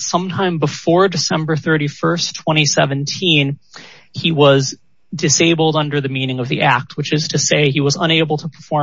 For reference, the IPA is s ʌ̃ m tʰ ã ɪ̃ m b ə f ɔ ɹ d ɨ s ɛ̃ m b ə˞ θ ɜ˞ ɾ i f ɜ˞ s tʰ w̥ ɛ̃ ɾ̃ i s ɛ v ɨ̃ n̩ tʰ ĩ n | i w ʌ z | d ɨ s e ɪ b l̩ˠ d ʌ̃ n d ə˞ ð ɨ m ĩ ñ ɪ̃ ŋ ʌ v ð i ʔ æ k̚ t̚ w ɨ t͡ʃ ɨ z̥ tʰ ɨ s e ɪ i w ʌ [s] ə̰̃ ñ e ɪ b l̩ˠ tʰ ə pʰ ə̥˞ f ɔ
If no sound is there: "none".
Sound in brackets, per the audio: z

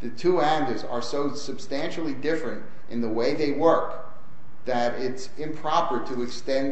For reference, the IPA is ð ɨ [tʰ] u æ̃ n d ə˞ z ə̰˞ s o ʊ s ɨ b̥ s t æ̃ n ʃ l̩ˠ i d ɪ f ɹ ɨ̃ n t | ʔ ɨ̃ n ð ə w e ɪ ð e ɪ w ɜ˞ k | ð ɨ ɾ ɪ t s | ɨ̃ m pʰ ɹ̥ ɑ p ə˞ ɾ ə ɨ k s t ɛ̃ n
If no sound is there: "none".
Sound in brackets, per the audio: tʰ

